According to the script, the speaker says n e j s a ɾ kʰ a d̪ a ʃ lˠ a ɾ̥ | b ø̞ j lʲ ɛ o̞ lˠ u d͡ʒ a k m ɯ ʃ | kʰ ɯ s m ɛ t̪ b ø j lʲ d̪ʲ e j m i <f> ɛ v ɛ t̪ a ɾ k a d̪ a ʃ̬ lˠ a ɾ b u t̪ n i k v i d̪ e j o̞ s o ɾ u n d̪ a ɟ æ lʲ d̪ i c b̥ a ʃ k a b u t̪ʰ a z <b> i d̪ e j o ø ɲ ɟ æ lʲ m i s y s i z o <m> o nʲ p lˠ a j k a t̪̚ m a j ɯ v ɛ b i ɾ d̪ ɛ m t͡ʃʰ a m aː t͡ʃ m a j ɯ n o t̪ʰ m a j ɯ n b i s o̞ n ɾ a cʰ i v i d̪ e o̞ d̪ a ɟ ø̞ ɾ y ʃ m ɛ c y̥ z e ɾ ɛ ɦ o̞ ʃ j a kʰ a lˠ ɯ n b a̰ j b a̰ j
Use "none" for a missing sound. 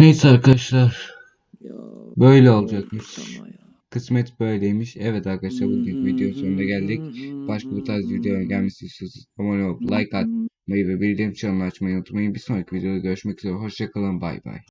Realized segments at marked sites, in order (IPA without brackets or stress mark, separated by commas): ʃ, v, m